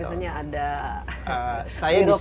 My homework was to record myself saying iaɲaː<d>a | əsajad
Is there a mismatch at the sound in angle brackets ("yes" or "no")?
no